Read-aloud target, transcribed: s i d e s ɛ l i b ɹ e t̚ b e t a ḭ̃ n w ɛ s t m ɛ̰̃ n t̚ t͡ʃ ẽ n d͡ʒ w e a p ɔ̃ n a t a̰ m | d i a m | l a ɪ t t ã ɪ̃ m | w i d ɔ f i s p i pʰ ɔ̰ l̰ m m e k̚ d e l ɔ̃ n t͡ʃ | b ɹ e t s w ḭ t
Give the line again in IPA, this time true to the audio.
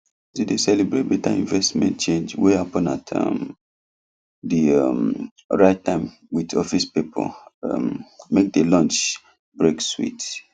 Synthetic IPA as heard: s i d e s ɛ l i b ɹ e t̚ b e t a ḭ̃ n v ɛ s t m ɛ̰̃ n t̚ t͡ʃ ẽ n d͡ʒ w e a p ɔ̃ n a t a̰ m | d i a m | ɹ a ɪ t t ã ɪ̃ m | w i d ɔ f i s p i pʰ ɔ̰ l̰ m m e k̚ d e l ɔ̃ n t͡ʃ | b ɹ e k s w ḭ t

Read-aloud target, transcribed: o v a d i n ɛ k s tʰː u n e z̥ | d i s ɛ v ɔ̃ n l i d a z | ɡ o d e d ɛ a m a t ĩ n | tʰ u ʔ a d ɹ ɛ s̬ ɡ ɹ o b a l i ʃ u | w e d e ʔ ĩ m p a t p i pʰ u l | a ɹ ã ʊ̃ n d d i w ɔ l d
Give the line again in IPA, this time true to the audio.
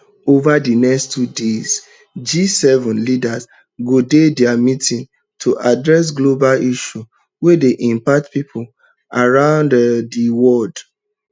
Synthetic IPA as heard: o v a d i n ɛ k s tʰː u d e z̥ | d͡ʒ i s ɛ v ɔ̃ n l i d a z | ɡ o d e d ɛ a m i t ĩ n | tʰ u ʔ a d ɹ ɛ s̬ ɡ l o b a l i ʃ u | w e d e ʔ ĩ m p a t p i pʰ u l | a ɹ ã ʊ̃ n d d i w ɔ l d

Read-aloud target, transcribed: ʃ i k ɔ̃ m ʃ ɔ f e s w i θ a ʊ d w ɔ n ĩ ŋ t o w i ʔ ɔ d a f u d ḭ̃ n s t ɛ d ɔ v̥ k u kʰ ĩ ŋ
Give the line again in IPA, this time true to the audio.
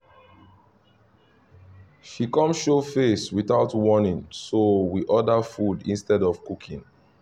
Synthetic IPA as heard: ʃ i k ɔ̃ m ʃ o f e s w i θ a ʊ t w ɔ n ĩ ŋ s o w i ʔ ɔ d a f u d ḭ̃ n s t ɛ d ɔ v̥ k u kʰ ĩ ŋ

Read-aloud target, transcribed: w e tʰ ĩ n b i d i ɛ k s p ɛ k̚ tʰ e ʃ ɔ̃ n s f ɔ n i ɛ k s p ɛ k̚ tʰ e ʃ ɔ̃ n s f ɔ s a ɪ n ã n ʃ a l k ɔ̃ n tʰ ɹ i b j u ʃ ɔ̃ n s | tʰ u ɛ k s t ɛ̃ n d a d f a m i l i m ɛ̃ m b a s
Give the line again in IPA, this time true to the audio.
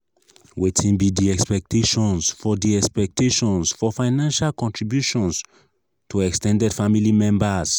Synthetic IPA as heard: w e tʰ ĩ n b i d i ɛ k s p ɛ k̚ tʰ e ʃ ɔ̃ n s f ɔ d i ɛ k s p ɛ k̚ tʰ e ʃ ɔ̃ n s f ɔ f a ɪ n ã n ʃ a l k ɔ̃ n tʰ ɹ i b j u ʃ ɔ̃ n s | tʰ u ɛ k s t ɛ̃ n d ɛ d f a m i l i m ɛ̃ m b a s

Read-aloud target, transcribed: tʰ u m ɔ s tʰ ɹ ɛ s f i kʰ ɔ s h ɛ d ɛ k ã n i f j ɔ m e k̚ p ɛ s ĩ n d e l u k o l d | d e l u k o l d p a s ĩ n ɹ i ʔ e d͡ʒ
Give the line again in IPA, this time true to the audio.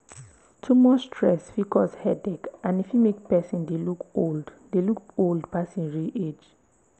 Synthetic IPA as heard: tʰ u m ɔ s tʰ ɹ ɛ s f i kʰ ɔ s h ɛ d ɛ k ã n i f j u m e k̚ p ɛ s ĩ n d e l u k o l d | d e l u k o l d p a s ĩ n ɹ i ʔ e d͡ʒ

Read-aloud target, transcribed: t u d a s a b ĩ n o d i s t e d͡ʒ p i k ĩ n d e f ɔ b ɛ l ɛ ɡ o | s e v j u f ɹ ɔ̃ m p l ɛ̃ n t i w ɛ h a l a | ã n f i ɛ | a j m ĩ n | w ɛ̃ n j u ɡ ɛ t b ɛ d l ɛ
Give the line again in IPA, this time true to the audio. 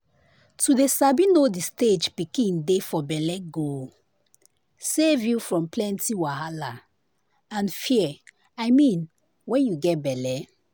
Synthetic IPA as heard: t u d e s a b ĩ n o d i s t e d͡ʒ p i k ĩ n d e f ɔ b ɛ l ɛ ɡ o | s e v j u f ɹ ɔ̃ m p l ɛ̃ n t i w a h a l a | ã n f i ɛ | a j m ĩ n | w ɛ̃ n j u ɡ ɛ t b ɛ l ɛ

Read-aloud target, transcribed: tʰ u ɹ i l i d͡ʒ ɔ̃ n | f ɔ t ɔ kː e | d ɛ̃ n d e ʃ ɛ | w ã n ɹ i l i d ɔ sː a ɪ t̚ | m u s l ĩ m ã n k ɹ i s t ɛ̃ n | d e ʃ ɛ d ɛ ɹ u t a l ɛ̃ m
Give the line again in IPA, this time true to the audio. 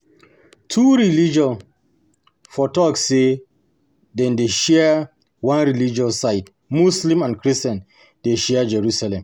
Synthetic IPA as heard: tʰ u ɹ i l i d͡ʒ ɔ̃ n | f ɔ t ɔ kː e | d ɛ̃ n d e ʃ ɛ | w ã n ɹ i l i d͡ʒ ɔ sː a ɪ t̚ | m u s l ĩ m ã n k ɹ i s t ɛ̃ n | d e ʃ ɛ d͡ʒ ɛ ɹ u s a l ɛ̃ m

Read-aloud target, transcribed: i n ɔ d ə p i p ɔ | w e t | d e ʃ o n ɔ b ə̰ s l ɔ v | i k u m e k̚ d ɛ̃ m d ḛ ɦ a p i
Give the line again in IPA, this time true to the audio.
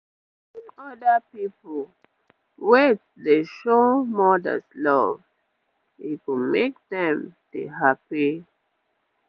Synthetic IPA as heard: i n ɔ d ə p i p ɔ | w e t | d e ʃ o m ɔ d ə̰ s l ɔ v | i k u m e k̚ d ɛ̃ m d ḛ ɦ a p i

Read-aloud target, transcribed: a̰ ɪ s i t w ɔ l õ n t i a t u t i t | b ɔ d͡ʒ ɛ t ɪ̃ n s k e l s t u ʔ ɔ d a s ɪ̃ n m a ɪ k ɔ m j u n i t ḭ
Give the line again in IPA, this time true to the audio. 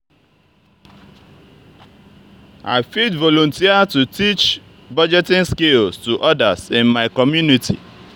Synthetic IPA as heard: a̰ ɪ f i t v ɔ l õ n t i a t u t i t͡ʃ | b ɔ d͡ʒ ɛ t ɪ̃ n s k e l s t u ʔ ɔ d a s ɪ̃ n m a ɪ k ɔ m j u n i t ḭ

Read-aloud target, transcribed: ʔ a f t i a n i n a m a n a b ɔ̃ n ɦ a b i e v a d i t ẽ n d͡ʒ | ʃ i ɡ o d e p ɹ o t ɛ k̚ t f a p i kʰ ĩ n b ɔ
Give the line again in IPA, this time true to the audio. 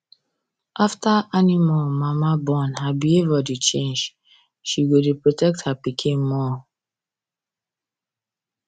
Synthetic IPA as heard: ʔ a f t a a n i m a m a m a b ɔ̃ n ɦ a b i e v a d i t͡ʃ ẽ n d͡ʒ | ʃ i ɡ o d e p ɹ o t ɛ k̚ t h a p i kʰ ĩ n m ɔ

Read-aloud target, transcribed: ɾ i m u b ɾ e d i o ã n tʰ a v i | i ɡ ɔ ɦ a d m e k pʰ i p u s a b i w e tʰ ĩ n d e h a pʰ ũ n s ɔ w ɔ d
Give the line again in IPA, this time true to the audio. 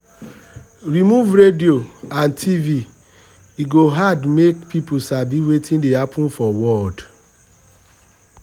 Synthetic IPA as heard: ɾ i m u v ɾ e d i o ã n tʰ i v i | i ɡ o ɦ a d m e k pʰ i p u s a b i w e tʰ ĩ n d e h a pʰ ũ n f ɔ w ɔ d

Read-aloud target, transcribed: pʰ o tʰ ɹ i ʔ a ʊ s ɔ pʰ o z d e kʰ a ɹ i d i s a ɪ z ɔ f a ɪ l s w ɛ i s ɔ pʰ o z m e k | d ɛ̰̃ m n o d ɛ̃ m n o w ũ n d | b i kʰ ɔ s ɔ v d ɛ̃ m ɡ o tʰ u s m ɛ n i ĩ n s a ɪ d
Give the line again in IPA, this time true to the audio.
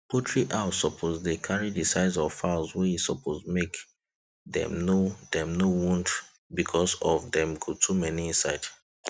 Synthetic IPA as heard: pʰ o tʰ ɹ i ʔ a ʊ s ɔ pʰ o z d e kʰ a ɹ i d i s a ɪ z ɔ f a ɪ l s w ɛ i s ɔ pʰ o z m e k | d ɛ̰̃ m n o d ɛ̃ m n o w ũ n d | b i kʰ ɔ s ɔ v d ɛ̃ m ɡ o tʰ u m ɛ n i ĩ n s a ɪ d

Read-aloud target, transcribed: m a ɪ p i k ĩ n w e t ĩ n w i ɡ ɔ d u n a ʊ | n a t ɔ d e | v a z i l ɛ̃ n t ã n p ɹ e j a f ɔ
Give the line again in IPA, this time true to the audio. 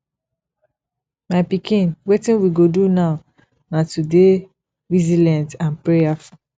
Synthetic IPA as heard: m a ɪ p i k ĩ n w e t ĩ n w i ɡ o d u n a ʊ | n a t u d e | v i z i l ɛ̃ n t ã n p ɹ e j a f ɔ

